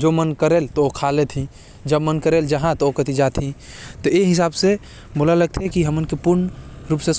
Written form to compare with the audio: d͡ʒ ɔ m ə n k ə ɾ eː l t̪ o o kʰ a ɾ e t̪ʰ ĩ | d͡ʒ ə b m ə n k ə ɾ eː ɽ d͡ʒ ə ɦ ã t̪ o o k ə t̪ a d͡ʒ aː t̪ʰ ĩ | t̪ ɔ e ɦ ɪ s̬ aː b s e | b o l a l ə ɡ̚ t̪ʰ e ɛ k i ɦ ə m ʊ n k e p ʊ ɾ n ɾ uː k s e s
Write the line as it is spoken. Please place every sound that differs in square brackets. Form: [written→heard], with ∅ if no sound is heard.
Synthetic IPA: d͡ʒ [ɔ→o] m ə n k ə ɾ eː l t̪ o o kʰ a [ɾ→l] e t̪ʰ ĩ | d͡ʒ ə b m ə n k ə ɾ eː [ɽ→l] d͡ʒ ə ɦ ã t̪ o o k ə t̪ [a→i] d͡ʒ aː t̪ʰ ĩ | t̪ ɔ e ɦ ɪ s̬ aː b s e | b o l a l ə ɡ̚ t̪ʰ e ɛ k i ɦ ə m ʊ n k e p ʊ ɾ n ɾ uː [k→p] s e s